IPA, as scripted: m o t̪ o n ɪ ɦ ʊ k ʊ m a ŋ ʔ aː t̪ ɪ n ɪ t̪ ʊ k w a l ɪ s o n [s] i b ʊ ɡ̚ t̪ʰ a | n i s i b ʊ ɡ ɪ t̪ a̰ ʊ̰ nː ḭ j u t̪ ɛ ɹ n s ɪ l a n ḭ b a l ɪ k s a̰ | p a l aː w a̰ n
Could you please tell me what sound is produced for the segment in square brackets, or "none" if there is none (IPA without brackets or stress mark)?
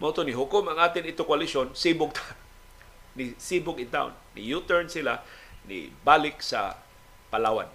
s